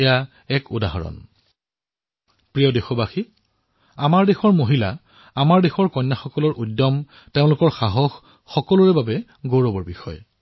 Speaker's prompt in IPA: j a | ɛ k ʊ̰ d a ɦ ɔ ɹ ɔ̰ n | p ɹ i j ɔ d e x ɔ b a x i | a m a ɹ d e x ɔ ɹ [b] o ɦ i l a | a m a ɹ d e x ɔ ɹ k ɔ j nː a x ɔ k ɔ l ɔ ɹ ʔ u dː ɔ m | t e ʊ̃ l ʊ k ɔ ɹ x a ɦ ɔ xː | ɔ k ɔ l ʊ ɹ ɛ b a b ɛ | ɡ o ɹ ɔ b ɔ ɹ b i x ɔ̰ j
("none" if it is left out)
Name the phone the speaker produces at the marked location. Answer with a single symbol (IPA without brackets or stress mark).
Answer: m